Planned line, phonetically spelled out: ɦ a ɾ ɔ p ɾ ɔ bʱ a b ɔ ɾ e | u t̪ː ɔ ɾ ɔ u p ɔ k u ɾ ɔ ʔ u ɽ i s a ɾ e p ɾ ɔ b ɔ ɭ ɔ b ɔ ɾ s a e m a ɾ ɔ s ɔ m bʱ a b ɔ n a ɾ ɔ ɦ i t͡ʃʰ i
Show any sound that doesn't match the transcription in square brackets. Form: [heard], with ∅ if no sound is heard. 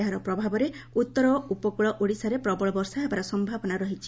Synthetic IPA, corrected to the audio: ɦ a ɾ ɔ p ɾ ɔ bʱ a b ɔ ɾ e | u t̪ː ɔ ɾ ɔ u p ɔ k u [ɭ] ɔ ʔ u ɽ i s a ɾ e p ɾ ɔ b ɔ ɭ ɔ b ɔ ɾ s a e [b] a ɾ ɔ s ɔ m bʱ a b ɔ n a ɾ ɔ ɦ i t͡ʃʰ i